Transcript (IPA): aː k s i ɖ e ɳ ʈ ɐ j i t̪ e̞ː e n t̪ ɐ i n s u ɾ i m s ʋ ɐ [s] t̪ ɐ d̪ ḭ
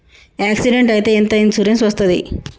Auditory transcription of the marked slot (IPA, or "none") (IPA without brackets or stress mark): s